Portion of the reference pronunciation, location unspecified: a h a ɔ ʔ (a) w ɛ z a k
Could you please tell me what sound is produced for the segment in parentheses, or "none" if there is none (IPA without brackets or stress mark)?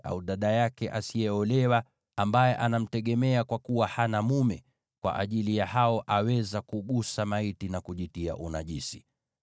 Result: a